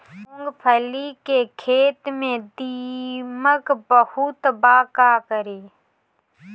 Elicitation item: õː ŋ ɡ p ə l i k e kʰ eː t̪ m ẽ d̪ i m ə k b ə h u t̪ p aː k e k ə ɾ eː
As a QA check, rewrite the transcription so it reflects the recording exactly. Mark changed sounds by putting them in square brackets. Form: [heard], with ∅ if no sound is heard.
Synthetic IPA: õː ŋ ɡ [pʰ] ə l i k e kʰ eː t̪ m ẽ d̪ i m ə k b ə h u t̪ [b] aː k [a] k ə ɾ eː